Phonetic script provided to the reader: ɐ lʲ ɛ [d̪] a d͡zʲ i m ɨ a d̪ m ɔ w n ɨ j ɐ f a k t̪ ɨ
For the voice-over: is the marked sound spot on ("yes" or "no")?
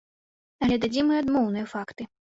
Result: yes